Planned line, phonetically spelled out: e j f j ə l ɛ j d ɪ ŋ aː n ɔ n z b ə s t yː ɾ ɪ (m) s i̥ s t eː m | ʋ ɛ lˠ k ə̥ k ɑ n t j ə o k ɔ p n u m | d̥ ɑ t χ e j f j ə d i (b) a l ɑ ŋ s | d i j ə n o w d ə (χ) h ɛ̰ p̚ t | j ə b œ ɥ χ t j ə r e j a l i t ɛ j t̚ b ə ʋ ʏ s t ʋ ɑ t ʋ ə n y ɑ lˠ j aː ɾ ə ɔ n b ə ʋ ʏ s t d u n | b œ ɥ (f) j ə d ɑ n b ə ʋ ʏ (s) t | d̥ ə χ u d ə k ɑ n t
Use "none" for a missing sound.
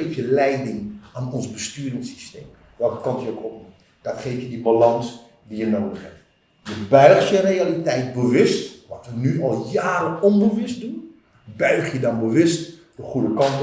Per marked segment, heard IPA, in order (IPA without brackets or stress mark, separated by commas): ŋ, b, χ, χ, s